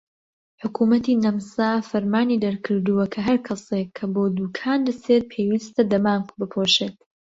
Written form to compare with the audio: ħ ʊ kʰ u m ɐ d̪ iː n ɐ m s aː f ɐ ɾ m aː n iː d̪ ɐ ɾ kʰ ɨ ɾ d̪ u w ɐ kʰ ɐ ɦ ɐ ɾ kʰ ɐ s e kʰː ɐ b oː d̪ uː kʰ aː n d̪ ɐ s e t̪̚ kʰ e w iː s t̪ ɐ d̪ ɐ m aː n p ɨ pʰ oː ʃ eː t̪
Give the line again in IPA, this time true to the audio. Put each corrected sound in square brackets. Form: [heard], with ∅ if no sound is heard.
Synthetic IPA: ħ ʊ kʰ u m ɐ [t̪] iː n ɐ m s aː f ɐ ɾ m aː n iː d̪ ɐ ɾ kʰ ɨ ɾ d̪ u w ɐ kʰ ɐ ɦ ɐ ɾ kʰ ɐ s e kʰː ɐ b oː d̪ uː kʰ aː n d̪ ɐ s e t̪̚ [pʰ] e w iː s t̪ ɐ d̪ ɐ m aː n [b] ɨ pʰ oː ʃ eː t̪